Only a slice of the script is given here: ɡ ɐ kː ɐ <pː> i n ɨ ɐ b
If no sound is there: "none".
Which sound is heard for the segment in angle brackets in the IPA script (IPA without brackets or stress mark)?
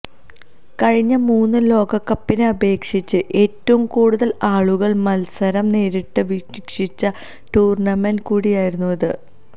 pː